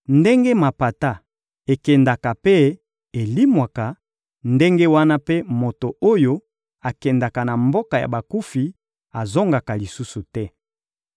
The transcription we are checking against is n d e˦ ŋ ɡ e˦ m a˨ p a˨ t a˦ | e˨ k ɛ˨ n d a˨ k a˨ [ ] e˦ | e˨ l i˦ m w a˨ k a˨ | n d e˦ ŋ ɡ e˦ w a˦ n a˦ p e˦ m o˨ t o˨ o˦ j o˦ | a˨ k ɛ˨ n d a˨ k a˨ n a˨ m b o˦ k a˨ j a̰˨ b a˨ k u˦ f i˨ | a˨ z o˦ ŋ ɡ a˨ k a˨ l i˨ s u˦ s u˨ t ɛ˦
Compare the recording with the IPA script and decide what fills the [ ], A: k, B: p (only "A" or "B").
B